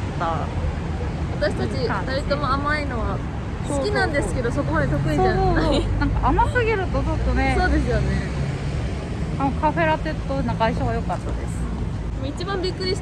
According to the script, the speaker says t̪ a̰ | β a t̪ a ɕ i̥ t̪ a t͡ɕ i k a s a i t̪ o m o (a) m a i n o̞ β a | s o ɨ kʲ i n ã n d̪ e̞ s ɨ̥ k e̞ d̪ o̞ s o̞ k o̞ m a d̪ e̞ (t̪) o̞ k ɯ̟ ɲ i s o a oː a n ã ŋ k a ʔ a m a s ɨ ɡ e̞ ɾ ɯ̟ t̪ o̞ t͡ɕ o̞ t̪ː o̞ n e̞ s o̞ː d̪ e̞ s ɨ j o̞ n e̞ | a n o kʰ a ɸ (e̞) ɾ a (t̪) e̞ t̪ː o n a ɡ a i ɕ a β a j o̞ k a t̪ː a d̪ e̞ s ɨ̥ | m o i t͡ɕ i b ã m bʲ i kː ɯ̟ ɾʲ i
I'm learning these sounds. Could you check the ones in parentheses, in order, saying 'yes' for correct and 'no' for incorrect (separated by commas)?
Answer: yes, yes, yes, yes